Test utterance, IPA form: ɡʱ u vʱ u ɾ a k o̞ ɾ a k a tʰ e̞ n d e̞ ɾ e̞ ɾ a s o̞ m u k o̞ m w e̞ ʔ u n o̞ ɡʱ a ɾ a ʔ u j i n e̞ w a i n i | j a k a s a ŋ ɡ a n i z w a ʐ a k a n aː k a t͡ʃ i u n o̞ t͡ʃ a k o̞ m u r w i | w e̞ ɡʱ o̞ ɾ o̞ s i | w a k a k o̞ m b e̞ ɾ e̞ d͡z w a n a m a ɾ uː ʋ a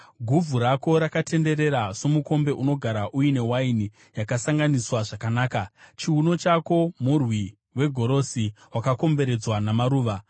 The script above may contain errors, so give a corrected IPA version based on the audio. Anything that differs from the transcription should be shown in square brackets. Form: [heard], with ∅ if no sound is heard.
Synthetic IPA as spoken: ɡʱ u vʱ u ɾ a k o̞ ɾ a k a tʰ e̞ n d e̞ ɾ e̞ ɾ a s o̞ m u k o̞ m [b] e̞ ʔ u n o̞ ɡʱ a ɾ a ʔ u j i n e̞ w a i n i | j a k a s a ŋ ɡ a n i [s] w a ʐ a k a n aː k a t͡ʃ i u n o̞ t͡ʃ a k o̞ m u r w i | w e̞ ɡʱ o̞ ɾ o̞ s i | w a k a k o̞ m b e̞ ɾ e̞ d͡z w a n a m a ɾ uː ʋ a